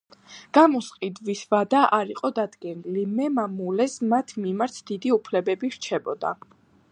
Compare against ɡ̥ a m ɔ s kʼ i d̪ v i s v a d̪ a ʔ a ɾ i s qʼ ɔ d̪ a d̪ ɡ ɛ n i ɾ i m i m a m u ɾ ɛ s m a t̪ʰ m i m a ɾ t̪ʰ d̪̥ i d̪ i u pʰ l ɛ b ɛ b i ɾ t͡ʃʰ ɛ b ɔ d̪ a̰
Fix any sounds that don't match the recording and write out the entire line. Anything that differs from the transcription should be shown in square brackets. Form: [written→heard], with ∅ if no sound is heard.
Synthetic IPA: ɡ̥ a m ɔ s [kʼ→qʼ] i d̪ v i s v a d̪ a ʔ a ɾ i [s→∅] qʼ ɔ d̪ a d̪ ɡ ɛ n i [ɾ→l] i m [i→ɛ] m a m u [ɾ→l] ɛ s m a t̪ʰ m i m a ɾ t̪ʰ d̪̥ i d̪ i u pʰ l ɛ b ɛ b i ɾ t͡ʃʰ ɛ b ɔ d̪ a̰